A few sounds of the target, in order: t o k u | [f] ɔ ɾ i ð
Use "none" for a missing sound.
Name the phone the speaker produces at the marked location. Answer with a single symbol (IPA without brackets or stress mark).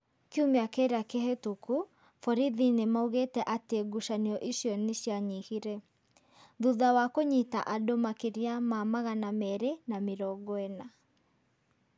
f